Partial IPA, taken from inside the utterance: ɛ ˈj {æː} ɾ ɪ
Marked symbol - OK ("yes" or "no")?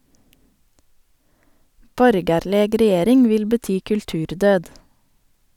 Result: no